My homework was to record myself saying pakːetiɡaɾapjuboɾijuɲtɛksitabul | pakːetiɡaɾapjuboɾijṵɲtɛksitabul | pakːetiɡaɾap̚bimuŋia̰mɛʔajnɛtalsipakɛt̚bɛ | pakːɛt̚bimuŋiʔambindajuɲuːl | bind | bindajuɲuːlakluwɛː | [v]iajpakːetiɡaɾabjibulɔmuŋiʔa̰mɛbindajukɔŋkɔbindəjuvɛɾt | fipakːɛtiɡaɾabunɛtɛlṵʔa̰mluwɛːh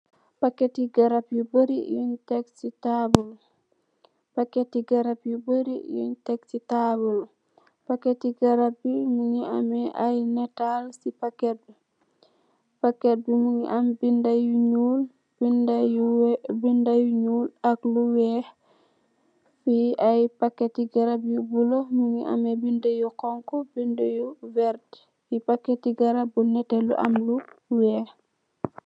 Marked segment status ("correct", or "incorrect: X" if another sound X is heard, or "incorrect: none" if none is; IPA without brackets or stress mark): incorrect: f